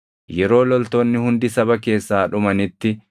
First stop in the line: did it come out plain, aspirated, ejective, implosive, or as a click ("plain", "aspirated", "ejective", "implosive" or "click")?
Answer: plain